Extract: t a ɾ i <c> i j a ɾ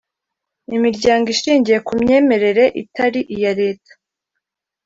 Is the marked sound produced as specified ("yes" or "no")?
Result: no